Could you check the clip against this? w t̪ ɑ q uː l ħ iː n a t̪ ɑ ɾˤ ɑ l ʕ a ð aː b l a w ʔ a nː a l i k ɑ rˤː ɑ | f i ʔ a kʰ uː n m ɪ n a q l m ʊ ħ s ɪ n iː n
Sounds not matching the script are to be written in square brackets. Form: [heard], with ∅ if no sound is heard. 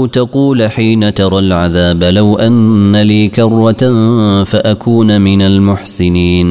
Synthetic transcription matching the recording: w t̪ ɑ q uː l ħ iː n a t̪ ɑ ɾˤ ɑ l ʕ a ð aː b l a w ʔ a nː a l [iː] k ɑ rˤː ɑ | f [a] ʔ a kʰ uː n m ɪ n a [∅] l m ʊ ħ s ɪ n iː n